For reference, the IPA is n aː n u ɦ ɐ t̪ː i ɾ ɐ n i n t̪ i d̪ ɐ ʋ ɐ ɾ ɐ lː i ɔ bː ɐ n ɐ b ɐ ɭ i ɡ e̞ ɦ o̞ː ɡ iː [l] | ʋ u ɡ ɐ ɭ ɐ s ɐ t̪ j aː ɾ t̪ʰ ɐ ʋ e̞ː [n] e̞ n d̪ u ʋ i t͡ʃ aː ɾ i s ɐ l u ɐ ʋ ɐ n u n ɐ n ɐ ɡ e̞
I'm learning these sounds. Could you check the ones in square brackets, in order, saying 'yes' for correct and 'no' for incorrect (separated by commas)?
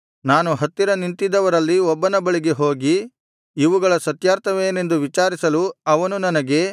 no, yes